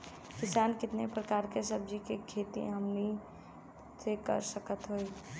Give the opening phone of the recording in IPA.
k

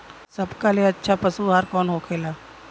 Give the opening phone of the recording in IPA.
s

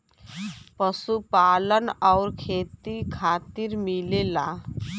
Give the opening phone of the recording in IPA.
p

